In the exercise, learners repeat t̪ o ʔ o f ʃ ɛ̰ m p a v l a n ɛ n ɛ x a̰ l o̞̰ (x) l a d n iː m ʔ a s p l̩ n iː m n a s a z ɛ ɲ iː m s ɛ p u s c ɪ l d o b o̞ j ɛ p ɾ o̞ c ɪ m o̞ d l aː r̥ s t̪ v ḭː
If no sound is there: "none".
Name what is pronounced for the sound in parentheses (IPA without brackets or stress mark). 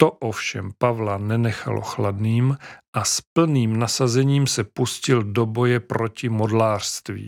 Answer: x